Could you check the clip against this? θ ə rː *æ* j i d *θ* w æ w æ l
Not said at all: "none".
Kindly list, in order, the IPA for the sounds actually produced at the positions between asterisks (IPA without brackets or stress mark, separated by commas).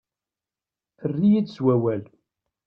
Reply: i, s